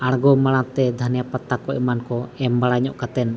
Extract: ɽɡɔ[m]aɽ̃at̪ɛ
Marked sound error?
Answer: no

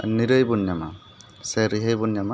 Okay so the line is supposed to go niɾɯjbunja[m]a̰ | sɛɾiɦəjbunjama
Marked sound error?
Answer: no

